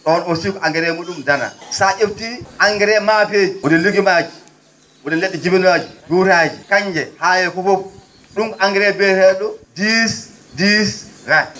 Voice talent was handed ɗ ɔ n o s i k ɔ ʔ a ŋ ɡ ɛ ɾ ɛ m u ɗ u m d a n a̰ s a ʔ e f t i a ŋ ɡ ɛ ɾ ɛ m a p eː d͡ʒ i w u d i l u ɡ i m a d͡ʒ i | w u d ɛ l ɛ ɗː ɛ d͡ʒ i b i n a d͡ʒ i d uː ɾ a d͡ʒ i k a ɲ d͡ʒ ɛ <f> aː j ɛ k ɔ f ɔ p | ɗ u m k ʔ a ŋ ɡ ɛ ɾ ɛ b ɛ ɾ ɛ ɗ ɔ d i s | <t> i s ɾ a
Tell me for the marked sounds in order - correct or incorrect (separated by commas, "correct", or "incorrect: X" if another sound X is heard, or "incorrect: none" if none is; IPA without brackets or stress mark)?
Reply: incorrect: h, incorrect: d